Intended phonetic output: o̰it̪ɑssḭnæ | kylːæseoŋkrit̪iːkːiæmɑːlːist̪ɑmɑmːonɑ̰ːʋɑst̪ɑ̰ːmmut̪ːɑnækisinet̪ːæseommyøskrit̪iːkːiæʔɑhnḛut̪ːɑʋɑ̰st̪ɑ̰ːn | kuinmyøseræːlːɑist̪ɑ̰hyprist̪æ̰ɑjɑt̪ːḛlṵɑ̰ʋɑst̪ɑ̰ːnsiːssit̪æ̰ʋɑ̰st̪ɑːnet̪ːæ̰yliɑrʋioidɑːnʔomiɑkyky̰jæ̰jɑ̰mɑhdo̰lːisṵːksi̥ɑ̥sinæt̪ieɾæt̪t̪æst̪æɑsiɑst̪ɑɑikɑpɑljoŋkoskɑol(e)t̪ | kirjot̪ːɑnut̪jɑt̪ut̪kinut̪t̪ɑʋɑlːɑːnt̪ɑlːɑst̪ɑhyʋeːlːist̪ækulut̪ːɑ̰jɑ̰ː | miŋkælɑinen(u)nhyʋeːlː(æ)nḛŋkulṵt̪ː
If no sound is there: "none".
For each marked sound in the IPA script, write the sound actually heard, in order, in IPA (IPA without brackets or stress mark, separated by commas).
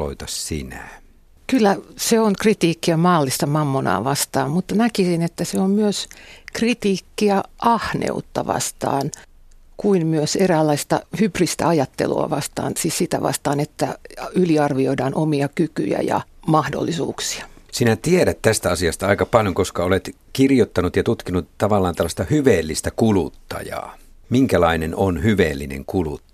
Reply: e, o, i